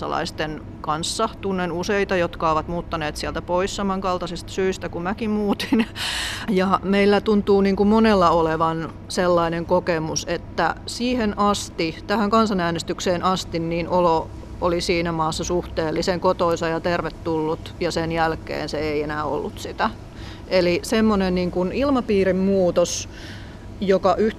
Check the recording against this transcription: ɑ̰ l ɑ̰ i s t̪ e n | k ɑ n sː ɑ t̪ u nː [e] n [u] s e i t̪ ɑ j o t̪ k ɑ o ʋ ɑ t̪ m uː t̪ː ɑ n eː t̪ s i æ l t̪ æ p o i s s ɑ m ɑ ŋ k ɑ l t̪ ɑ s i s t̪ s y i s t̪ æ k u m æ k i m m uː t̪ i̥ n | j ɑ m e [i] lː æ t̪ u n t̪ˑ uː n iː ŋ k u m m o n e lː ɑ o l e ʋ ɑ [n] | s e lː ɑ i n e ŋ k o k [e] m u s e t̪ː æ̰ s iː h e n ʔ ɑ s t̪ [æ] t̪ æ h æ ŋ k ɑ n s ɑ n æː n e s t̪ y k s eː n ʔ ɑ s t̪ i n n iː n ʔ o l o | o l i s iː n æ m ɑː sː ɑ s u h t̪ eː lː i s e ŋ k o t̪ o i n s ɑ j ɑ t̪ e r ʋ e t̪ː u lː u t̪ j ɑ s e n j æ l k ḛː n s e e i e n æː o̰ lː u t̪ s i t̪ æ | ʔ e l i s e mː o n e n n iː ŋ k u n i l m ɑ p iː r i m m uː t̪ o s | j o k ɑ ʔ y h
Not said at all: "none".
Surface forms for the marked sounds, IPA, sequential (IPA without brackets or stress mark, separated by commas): e, u, i, n, e, i